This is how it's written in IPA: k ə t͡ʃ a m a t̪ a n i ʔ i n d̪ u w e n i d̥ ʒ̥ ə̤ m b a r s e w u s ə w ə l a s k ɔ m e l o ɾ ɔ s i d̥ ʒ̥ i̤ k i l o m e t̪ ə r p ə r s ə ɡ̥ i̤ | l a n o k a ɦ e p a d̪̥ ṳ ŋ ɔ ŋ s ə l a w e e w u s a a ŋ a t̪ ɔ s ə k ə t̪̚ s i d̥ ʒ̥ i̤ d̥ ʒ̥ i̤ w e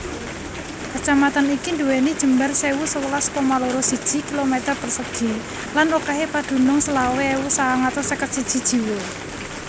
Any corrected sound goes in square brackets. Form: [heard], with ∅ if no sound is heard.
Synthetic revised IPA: k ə t͡ʃ a m a t̪ a n i [k] i n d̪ u w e n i d̥ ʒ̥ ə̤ m b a r s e w u s ə w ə l a s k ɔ m [a] l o ɾ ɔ s i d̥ ʒ̥ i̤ k i l o m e t̪ ə r p ə r s ə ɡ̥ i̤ | l a n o k a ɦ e p a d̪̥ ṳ [n] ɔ ŋ s ə l a w e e w u s a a ŋ a t̪ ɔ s ə k ə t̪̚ s i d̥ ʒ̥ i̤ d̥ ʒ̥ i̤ w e